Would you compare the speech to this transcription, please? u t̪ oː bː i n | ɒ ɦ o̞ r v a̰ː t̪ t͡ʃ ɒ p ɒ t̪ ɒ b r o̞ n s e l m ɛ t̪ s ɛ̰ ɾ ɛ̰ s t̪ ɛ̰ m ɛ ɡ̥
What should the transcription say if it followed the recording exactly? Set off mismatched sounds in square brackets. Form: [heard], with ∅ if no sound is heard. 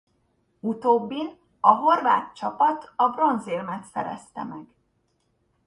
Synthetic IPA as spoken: u t̪ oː bː i n | ɒ ɦ o̞ r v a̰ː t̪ t͡ʃ ɒ p ɒ t̪ ɒ b r o̞ n [z] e l m ɛ t̪ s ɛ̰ ɾ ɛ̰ s t̪ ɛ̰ m ɛ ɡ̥